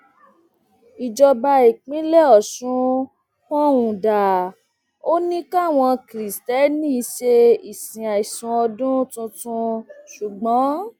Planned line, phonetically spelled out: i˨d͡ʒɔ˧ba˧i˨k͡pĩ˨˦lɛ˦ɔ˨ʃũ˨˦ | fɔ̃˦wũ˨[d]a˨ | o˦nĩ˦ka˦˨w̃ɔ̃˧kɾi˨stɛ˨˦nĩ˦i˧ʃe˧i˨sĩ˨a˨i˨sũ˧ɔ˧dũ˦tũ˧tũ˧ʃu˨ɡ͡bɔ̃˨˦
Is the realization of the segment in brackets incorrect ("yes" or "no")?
no